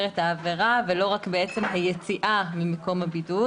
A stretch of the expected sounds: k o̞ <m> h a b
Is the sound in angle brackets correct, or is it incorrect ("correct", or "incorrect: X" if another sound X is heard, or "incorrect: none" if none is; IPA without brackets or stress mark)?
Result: correct